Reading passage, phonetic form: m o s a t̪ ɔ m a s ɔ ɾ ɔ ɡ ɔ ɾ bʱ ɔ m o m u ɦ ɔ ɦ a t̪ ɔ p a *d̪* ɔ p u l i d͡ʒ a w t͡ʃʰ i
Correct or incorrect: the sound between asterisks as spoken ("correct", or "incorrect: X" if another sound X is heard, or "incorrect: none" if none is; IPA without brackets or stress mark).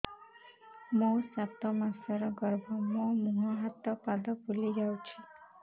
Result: correct